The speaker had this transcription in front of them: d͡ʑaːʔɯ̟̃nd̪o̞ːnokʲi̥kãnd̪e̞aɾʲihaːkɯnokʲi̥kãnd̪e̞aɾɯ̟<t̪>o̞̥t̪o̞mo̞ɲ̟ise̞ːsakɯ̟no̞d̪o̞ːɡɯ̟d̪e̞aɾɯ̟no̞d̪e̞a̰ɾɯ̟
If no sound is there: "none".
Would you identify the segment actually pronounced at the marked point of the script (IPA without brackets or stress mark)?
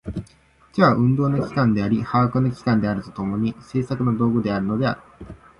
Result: t̪